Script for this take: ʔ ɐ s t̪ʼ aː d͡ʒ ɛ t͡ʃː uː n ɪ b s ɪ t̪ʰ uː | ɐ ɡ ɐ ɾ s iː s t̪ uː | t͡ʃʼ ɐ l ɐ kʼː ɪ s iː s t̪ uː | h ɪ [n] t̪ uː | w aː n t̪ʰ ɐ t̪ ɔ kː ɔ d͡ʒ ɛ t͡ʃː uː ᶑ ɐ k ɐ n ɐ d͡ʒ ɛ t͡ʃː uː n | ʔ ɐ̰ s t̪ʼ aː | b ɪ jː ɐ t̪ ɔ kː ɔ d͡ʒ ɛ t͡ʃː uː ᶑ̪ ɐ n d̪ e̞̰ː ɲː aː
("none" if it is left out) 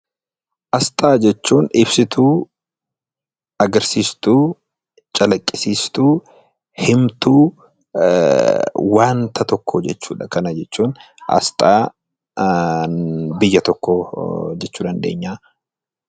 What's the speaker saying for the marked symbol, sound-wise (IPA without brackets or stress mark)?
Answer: m